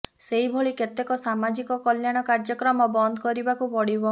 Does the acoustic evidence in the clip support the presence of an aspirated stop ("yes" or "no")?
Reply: no